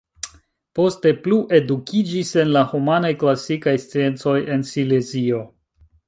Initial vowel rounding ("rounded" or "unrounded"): rounded